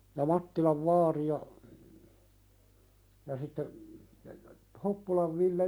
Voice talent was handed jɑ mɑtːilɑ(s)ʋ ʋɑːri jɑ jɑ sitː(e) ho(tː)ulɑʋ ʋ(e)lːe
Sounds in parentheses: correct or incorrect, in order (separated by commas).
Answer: incorrect, correct, incorrect, incorrect